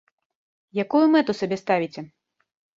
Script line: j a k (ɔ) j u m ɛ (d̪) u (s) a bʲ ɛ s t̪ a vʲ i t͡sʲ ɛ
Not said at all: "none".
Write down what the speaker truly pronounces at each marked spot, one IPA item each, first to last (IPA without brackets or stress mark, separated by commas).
u, t̪, s